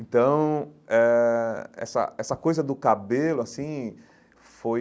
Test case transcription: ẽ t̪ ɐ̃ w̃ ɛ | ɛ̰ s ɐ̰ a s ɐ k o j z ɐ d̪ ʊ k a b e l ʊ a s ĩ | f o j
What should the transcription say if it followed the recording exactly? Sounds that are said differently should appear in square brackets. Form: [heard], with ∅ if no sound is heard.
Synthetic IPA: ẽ t̪ ɐ̃ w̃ ɛ | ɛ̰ s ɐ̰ [ɛ] s ɐ k o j z ɐ d̪ ʊ k a b e l ʊ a s ĩ | f o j